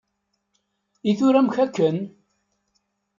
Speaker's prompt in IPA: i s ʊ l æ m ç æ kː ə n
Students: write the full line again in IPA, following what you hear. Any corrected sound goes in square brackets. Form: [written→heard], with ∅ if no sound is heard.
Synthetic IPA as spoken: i [s→θ] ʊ [l→ɾ] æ m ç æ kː ə n